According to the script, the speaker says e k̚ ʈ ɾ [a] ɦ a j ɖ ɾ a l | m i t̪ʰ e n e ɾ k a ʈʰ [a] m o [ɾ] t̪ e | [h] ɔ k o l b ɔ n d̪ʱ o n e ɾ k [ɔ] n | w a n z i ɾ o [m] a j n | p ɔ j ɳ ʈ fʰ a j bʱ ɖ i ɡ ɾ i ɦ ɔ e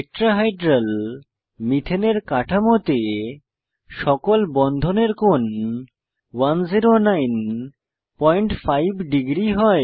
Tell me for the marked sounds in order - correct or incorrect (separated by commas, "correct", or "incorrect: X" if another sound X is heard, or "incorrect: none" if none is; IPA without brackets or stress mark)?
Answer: correct, correct, incorrect: none, incorrect: ʃ, incorrect: o, incorrect: n